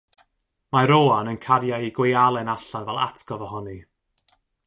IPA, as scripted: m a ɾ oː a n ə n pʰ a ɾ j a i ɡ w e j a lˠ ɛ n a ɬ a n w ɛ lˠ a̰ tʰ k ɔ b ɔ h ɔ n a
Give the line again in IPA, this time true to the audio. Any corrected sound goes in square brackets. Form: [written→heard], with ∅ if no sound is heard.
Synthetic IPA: m a ɾ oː a n ə n [pʰ→kʰ] a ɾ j a i ɡ w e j a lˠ ɛ n a ɬ a n [w→v] ɛ lˠ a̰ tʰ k ɔ [b→v] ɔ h ɔ n [a→i]